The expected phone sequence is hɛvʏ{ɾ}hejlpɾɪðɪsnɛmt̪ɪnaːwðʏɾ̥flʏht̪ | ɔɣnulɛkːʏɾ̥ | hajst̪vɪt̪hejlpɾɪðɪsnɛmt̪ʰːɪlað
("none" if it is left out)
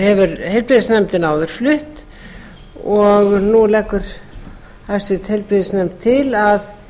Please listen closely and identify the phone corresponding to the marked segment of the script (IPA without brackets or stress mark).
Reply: ɾ